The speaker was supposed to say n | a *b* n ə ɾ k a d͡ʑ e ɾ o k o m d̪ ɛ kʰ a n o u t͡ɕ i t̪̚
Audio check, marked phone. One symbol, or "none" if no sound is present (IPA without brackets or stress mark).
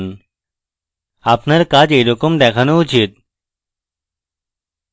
p